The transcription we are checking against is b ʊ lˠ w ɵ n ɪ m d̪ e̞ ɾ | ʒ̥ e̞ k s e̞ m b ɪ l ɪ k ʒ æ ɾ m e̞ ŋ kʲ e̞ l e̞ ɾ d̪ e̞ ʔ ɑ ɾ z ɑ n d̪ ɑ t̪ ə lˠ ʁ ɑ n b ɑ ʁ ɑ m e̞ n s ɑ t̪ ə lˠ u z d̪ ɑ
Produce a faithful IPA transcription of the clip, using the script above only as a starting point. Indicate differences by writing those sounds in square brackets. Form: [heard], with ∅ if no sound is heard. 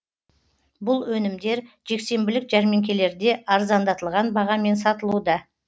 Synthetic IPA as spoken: b ʊ lˠ w ɵ n ɪ m d̪ e̞ ɾ | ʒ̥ e̞ k s e̞ m b ɪ l ɪ k ʒ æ ɾ m e̞ ŋ kʲ e̞ l e̞ ɾ d̪ e̞ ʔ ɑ ɾ z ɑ n d̪ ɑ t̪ ə lˠ ʁ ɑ n b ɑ ʁ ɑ m e̞ n s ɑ t̪ ə lˠ u [∅] d̪ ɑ